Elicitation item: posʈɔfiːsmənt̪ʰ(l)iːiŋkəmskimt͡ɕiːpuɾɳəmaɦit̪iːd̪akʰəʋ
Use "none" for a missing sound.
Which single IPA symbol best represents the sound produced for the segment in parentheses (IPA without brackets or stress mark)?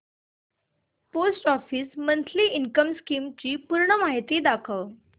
l